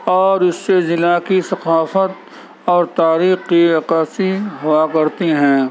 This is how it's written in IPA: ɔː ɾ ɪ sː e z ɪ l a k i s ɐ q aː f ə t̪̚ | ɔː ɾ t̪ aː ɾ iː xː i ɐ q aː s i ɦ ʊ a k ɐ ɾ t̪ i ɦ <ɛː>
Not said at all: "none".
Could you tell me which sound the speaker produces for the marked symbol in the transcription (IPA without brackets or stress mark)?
ɛ̃ː